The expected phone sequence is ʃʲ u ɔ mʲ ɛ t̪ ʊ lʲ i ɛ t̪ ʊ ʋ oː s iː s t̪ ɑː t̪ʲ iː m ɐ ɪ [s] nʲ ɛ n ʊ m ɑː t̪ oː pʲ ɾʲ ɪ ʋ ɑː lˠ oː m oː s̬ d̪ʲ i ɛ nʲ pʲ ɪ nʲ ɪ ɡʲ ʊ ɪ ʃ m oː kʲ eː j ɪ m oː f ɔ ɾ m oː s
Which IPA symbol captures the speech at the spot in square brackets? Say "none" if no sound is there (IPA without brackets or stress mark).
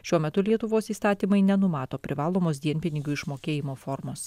none